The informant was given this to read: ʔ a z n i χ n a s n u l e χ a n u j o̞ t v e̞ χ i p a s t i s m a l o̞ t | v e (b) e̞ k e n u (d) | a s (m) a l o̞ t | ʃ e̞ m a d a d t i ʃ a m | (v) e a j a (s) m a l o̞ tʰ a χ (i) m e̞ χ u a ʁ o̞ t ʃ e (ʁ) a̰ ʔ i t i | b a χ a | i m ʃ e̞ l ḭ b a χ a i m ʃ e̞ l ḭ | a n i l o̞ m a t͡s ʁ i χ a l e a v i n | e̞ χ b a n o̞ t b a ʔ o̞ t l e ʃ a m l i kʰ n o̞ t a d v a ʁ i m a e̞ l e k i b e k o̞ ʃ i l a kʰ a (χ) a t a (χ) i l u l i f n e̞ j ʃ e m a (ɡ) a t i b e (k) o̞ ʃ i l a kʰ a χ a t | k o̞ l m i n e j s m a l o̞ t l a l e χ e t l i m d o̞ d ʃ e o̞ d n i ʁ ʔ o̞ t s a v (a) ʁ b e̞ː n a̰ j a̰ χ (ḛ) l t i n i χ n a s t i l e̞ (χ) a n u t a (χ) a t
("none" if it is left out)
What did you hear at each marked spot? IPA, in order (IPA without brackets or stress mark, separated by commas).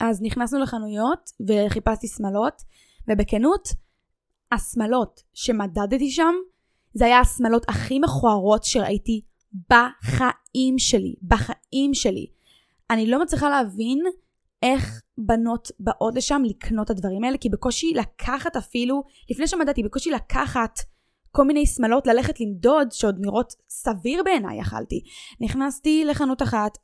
b, t, m, z, s, i, ʁ, χ, f, d, k, i, a̰, χ, χ